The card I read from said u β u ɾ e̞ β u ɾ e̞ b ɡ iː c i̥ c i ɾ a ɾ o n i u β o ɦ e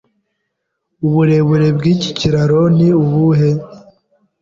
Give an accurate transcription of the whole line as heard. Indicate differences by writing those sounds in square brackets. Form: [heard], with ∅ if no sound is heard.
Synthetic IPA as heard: u β u ɾ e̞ β u ɾ e̞ b ɡ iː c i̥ c i ɾ a ɾ o n i u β [u] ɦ e